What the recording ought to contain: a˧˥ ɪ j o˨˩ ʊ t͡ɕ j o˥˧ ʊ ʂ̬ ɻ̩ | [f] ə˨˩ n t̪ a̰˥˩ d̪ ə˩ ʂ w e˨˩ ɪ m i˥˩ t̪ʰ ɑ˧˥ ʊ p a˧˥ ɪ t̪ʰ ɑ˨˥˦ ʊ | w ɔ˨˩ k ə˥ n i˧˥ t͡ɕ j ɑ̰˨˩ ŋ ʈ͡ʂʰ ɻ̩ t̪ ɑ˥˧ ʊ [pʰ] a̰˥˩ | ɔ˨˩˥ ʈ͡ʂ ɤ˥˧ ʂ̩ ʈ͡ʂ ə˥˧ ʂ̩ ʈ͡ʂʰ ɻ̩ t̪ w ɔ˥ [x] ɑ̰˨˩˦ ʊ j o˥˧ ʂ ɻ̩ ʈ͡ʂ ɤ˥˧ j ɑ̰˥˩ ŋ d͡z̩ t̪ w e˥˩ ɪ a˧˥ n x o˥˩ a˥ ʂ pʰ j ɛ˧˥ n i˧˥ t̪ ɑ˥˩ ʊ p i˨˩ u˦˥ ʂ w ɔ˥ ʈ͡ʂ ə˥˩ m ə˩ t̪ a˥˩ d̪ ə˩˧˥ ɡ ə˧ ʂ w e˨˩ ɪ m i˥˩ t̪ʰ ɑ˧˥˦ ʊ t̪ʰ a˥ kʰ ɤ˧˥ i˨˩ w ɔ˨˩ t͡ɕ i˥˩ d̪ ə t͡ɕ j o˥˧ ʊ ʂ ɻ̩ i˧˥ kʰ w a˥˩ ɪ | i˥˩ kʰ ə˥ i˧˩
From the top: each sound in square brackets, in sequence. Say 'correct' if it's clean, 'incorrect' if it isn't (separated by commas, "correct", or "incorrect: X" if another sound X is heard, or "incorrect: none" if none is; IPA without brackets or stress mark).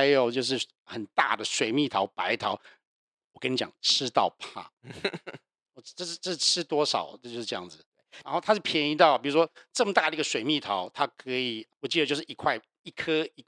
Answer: incorrect: x, correct, incorrect: ʂ